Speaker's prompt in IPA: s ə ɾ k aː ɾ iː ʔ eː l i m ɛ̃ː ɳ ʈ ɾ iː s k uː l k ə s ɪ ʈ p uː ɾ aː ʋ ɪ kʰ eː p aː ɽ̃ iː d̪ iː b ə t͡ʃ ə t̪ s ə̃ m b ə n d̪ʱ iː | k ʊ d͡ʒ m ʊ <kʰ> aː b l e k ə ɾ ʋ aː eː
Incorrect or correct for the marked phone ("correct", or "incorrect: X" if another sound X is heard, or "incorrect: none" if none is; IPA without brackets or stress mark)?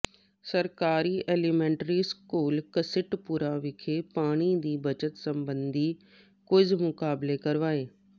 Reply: incorrect: k